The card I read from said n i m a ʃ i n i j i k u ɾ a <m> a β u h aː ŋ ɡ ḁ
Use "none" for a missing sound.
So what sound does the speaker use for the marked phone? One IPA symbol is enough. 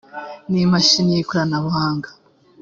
n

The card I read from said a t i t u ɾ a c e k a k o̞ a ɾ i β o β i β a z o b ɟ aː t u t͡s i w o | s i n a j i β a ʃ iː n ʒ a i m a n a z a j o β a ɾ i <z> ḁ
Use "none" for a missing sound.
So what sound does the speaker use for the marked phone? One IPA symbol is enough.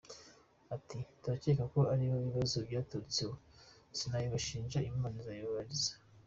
z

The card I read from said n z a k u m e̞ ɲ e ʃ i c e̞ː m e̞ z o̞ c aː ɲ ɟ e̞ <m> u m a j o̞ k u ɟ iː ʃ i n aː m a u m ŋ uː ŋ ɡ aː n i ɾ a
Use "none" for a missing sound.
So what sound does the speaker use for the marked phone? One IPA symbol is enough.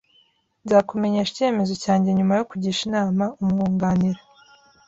ɲ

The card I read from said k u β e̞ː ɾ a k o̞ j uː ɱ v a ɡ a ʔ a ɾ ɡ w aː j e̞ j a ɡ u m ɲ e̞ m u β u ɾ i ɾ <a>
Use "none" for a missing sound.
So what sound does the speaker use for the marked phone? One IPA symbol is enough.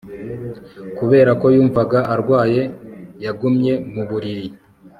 i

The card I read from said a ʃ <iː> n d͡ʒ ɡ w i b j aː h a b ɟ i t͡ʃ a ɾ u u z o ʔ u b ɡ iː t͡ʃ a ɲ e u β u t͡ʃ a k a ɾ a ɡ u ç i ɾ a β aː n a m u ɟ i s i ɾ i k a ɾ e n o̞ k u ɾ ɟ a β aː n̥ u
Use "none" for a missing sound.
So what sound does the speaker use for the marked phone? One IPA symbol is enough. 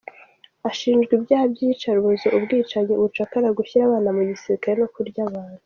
iː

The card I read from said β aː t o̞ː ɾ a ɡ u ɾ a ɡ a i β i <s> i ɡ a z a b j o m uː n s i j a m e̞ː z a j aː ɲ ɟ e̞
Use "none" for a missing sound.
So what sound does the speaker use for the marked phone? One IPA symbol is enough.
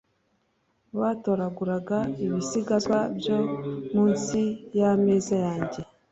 s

